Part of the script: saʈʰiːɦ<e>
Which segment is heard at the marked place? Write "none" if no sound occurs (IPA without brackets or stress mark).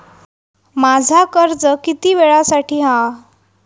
a